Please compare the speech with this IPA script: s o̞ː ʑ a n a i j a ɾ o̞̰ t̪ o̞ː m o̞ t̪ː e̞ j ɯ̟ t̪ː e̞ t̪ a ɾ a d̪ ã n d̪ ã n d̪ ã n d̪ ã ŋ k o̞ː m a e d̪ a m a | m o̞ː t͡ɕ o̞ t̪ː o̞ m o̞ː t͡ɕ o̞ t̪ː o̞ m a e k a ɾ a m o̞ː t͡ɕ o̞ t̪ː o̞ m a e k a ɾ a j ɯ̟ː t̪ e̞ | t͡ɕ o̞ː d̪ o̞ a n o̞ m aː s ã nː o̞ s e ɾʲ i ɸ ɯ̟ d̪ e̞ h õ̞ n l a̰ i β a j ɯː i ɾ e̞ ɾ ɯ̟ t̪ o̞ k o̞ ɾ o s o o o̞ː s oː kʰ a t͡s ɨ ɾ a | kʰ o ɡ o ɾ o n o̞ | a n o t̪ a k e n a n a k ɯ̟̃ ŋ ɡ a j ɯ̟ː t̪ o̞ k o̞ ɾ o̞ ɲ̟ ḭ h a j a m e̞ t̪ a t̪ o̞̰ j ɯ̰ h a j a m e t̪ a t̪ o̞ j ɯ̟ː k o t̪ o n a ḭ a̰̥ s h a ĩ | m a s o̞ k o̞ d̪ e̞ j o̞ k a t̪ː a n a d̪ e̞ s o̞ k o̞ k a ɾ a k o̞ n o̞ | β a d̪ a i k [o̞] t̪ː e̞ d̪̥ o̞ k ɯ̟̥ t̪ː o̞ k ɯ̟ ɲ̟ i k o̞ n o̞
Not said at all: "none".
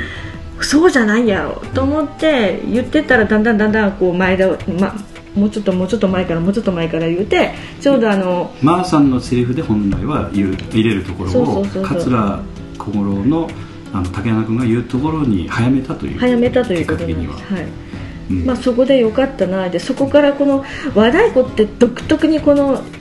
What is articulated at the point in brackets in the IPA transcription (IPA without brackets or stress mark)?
o̞